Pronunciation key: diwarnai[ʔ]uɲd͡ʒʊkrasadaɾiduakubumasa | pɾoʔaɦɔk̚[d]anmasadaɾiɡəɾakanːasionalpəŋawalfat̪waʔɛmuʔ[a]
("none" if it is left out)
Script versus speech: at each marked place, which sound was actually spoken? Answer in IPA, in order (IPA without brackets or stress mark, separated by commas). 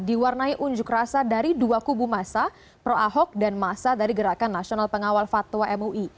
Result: ʔ, d, i